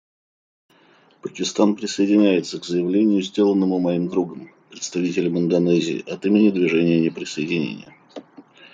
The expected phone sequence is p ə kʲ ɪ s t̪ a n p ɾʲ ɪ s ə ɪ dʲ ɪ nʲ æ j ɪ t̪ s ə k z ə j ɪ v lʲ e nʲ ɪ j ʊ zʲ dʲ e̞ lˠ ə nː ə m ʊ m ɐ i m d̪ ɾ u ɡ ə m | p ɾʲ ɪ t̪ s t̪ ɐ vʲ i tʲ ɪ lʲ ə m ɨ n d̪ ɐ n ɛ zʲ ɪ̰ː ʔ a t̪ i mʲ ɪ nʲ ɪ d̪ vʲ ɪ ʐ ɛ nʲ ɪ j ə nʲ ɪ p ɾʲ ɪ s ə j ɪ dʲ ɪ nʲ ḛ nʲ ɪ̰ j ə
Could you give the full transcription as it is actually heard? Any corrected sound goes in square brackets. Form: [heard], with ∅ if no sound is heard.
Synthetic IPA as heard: p ə kʲ ɪ s t̪ a n p ɾʲ ɪ s ə ɪ dʲ ɪ nʲ æ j ɪ t̪ s ə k z ə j ɪ v lʲ e nʲ ɪ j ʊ zʲ dʲ e̞ lˠ ə nː ə m ʊ m ɐ i m d̪ ɾ u ɡ ə m | p ɾʲ ɪ t̪ s t̪ ɐ vʲ i tʲ ɪ lʲ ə m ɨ n d̪ ɐ n ɛ zʲ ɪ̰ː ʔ [ɐ] t̪ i mʲ ɪ nʲ ɪ d̪ vʲ ɪ ʐ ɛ nʲ ɪ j ə nʲ ɪ p ɾʲ ɪ s ə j ɪ dʲ ɪ nʲ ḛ nʲ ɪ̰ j ə

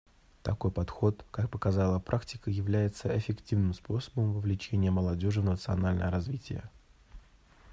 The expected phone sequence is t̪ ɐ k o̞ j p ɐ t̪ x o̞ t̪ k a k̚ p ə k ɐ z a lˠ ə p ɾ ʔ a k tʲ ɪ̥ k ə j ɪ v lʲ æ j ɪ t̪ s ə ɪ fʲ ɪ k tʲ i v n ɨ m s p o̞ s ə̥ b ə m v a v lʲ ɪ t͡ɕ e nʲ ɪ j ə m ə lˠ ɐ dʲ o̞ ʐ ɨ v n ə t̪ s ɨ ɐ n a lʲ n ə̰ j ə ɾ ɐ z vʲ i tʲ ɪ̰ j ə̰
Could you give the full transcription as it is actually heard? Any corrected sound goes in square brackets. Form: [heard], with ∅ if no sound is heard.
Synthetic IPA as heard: t̪ ɐ k o̞ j p ɐ t̪ x o̞ t̪ k a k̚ p ə k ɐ z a lˠ ə p ɾ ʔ a k tʲ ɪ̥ k ə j ɪ v lʲ æ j ɪ t̪ s ə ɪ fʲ ɪ k tʲ i v n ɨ m s p o̞ s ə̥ b ə m v [ə] v lʲ ɪ t͡ɕ e nʲ ɪ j ə m ə lˠ ɐ dʲ o̞ ʐ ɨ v n ə t̪ s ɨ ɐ n a lʲ n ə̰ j ə ɾ ɐ z vʲ i tʲ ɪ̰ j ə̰

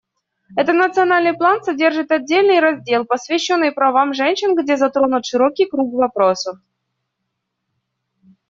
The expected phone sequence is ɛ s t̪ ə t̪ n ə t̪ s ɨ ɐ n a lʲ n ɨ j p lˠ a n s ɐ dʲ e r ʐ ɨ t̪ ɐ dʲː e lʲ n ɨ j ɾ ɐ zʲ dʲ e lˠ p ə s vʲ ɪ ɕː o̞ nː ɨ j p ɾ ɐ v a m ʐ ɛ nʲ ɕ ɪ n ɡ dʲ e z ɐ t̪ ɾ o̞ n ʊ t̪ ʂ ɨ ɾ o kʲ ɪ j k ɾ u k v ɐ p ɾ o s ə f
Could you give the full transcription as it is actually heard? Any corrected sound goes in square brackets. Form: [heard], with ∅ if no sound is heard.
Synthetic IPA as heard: ɛ [∅] t̪ ə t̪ n ə t̪ s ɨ ɐ n a lʲ n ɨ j p lˠ a n s ɐ dʲ e r ʐ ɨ t̪ ɐ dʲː e lʲ n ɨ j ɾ ɐ zʲ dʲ e lˠ p ə s vʲ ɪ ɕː o̞ nː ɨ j p ɾ ɐ v a m ʐ ɛ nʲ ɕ ɪ n ɡ dʲ e z ɐ t̪ ɾ o̞ n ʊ t̪ ʂ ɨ ɾ o kʲ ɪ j k ɾ u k v ɐ p ɾ o s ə f

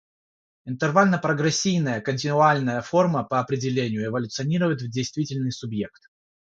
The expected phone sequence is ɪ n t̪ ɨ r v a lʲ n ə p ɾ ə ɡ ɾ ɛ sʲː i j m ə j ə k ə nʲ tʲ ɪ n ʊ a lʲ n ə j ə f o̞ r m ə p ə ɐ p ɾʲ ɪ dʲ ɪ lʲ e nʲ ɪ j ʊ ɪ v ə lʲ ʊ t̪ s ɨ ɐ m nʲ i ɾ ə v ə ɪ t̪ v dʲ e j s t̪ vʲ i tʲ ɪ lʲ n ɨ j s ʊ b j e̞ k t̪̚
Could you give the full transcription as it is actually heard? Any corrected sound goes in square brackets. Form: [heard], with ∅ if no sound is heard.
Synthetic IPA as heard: ɪ n t̪ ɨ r v a lʲ n ə p ɾ ə ɡ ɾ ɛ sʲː i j [n] ə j ə k ə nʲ tʲ ɪ n ʊ a lʲ n ə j ə f o̞ r m ə p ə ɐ p ɾʲ ɪ dʲ ɪ lʲ e nʲ ɪ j ʊ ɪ v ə lʲ ʊ t̪ s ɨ ɐ [∅] nʲ i ɾ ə v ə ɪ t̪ v dʲ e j s t̪ vʲ i tʲ ɪ lʲ n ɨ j s ʊ b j e̞ k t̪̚

